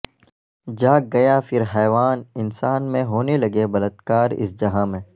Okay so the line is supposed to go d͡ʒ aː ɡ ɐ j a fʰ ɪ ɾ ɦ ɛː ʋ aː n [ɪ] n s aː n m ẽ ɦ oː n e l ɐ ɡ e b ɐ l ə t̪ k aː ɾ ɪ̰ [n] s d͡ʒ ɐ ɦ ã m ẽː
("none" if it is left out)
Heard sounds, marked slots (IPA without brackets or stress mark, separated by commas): ɪ, none